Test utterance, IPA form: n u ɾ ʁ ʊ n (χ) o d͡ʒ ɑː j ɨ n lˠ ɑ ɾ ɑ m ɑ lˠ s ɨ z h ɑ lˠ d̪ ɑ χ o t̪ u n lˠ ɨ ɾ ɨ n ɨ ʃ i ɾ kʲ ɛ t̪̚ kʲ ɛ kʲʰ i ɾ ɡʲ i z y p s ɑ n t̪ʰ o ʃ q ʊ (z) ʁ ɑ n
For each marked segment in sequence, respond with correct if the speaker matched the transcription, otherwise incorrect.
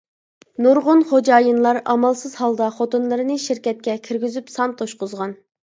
correct, correct

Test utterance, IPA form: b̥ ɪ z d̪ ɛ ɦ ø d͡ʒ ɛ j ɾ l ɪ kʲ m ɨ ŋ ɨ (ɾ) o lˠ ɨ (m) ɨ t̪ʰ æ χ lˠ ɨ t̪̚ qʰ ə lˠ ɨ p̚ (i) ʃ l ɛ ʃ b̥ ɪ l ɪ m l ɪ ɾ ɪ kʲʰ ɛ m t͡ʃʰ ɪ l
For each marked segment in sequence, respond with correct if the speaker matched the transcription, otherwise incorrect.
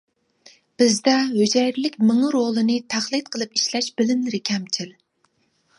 correct, incorrect, correct

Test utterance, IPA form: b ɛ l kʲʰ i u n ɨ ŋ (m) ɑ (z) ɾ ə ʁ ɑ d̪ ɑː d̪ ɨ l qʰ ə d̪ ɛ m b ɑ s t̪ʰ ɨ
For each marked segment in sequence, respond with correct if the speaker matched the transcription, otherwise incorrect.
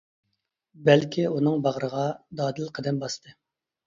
incorrect, incorrect

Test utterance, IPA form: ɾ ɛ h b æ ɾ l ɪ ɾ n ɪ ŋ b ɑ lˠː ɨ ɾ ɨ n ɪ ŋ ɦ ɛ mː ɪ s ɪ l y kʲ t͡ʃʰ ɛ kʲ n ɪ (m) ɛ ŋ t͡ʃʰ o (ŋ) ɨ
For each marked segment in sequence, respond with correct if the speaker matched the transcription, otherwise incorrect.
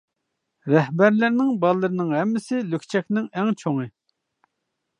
incorrect, correct

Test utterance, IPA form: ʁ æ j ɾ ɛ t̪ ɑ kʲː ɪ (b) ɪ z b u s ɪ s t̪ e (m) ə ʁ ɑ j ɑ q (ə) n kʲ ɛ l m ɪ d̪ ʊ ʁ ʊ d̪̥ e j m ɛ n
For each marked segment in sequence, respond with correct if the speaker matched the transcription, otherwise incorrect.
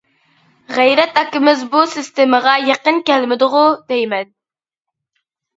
incorrect, correct, correct

